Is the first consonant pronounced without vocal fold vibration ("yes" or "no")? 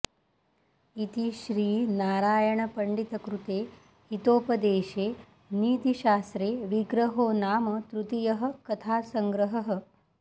yes